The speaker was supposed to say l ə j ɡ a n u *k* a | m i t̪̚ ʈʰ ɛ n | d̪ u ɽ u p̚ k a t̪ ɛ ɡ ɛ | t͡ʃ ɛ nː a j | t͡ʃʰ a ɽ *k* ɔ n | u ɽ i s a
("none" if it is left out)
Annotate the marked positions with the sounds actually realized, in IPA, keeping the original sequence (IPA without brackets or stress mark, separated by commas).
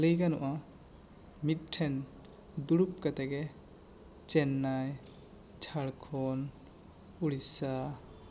ʔ, kʰ